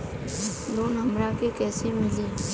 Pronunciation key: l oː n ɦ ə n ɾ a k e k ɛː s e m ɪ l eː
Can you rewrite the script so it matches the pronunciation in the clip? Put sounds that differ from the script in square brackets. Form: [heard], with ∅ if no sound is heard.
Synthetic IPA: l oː n ɦ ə [m] ɾ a k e k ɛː s e m ɪ l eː